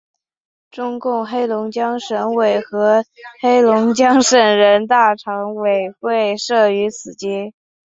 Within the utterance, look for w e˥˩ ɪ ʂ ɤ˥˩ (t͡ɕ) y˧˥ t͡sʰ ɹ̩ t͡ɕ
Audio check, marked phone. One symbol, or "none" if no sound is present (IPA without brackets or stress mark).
none